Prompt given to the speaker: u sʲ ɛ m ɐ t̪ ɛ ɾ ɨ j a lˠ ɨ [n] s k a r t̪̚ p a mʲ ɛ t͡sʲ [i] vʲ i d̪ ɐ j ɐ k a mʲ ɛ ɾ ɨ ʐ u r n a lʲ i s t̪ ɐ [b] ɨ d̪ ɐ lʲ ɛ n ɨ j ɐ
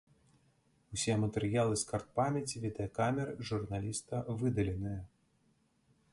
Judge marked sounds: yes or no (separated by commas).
no, yes, no